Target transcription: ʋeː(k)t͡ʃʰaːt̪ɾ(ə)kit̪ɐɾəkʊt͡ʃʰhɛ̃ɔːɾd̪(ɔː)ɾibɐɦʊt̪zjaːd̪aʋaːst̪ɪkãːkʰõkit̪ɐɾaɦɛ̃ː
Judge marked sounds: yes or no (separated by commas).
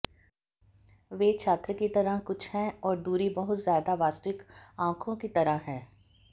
no, yes, no